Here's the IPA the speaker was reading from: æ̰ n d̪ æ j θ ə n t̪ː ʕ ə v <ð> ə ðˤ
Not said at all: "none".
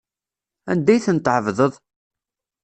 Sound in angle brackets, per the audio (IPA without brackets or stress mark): ð